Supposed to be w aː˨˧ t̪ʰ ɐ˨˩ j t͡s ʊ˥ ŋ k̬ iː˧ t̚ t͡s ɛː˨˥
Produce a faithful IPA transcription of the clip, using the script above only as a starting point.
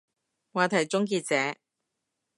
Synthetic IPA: w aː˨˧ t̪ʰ ɐ˨˩ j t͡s ʊ˥ ŋ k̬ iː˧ t̚ t͡s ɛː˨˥